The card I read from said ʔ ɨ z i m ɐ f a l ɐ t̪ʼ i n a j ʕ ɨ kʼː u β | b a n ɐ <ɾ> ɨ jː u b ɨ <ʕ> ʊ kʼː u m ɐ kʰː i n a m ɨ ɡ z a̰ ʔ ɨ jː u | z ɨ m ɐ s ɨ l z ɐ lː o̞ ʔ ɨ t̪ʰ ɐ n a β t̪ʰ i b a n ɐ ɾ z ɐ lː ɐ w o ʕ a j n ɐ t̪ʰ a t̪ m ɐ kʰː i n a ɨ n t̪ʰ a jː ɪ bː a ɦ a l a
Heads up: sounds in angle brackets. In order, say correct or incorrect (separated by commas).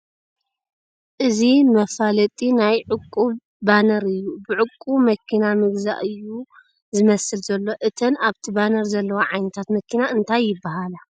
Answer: correct, correct